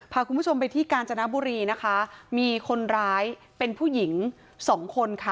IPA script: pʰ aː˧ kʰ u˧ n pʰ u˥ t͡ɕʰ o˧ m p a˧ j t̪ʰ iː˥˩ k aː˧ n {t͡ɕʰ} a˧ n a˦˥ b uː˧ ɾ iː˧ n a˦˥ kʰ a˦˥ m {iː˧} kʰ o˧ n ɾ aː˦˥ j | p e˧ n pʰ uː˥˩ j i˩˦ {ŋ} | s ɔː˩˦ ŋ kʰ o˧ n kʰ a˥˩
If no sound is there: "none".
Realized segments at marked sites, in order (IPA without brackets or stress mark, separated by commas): t͡ɕ, iː˧, ŋ